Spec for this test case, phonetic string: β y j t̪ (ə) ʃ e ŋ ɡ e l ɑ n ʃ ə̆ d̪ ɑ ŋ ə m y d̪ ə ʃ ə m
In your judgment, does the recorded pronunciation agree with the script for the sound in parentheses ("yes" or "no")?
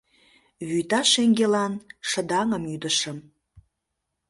no